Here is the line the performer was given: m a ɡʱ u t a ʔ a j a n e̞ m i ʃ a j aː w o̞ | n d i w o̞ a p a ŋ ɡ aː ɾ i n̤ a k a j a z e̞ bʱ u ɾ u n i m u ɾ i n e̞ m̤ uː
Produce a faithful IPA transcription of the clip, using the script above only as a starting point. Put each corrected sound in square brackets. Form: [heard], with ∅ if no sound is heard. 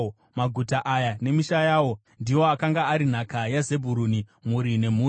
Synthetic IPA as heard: m a ɡʱ u t a ʔ a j a n e̞ m i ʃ a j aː w o̞ | n d i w o̞ a [k] a ŋ ɡ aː ɾ i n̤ a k a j a z e̞ bʱ u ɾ u n i m u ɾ i n e̞ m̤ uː